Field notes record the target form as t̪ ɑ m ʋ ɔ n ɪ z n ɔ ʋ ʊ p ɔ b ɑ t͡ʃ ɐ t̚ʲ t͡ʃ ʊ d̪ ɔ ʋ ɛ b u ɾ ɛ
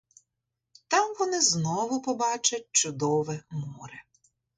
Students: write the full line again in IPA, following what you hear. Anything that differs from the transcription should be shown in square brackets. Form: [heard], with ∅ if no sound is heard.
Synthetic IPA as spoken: t̪ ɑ m ʋ ɔ n ɪ z n ɔ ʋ ʊ p ɔ b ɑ t͡ʃ ɐ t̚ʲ t͡ʃ ʊ d̪ ɔ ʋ ɛ [m] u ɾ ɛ